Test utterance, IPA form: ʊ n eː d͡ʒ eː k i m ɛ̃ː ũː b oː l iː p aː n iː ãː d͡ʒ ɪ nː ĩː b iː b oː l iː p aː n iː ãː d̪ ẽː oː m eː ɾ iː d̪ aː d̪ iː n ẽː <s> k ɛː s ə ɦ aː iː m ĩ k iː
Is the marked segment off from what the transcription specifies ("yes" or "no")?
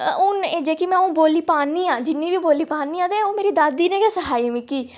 yes